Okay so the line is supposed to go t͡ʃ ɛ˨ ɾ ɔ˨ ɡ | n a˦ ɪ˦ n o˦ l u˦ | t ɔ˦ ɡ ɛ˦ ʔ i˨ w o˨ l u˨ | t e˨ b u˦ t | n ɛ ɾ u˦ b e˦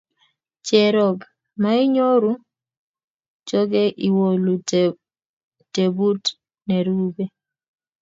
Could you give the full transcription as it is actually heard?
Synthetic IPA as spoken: t͡ʃ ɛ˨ ɾ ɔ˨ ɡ | m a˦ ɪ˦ ɲ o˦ ɾ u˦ | t͡ʃ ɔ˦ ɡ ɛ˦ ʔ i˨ w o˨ l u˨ | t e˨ b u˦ t | n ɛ ɾ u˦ b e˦